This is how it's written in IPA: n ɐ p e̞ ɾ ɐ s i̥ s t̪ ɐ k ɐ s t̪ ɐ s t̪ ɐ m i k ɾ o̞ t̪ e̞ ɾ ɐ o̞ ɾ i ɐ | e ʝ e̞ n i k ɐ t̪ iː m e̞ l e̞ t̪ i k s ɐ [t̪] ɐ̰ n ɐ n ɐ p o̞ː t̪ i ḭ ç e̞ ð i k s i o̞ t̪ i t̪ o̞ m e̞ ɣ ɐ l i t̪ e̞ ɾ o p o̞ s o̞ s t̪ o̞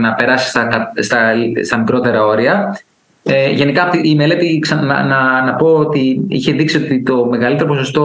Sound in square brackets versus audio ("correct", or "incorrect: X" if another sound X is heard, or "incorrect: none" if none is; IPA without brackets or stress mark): incorrect: none